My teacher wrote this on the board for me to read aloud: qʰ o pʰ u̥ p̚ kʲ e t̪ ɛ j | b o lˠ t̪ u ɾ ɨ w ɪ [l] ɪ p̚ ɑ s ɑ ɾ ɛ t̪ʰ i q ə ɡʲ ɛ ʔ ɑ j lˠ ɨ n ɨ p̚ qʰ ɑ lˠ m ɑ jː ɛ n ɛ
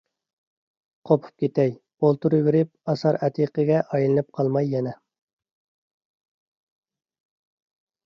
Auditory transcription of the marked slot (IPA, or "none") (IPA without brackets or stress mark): ɾ